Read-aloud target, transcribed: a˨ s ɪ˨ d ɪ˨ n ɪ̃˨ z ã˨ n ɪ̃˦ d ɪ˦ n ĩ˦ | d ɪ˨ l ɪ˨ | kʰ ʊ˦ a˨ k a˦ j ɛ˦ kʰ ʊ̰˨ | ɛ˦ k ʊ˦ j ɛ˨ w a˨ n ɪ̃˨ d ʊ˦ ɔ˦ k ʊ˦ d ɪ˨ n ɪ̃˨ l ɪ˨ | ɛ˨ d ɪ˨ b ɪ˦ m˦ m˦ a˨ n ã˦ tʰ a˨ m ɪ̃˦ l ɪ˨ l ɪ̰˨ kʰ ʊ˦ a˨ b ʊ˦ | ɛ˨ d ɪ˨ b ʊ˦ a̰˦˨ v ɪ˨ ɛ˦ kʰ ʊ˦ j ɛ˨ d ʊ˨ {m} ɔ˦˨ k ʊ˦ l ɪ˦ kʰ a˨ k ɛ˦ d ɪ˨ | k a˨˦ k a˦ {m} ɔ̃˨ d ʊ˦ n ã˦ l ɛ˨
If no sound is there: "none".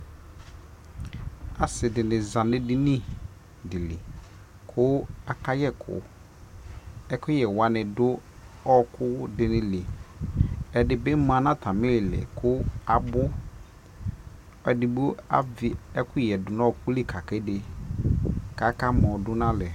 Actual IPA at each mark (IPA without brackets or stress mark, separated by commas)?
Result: n, m